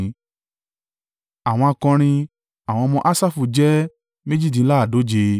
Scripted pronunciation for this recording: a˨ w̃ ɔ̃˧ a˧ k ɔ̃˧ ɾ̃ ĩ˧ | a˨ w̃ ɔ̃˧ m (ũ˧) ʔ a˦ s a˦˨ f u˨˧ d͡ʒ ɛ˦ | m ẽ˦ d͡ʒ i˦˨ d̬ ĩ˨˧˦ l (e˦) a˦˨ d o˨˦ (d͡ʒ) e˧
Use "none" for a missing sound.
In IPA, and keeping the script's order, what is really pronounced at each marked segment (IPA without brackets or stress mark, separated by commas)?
ɔ̃˧, a˦, d͡ʒ